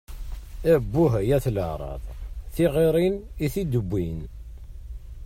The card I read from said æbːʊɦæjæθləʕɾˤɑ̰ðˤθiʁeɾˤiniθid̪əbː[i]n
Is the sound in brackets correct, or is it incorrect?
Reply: correct